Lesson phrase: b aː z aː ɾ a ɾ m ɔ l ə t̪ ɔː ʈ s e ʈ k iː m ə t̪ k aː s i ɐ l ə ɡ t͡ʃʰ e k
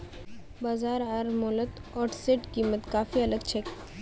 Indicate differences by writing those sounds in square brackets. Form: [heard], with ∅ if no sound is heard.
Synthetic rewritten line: b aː z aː ɾ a ɾ m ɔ l ə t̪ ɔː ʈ s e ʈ k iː m ə t̪ k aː [f] i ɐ l ə ɡ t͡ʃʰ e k